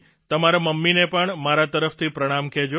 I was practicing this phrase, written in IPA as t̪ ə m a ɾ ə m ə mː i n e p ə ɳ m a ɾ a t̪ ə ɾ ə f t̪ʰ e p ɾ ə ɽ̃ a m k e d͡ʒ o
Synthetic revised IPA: t̪ ə m a ɾ a m ə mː i n e p ə ɳ m a ɾ a t̪ ə ɾ ə f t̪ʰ i p ɾ ə ɽ̃ a m k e d͡ʒ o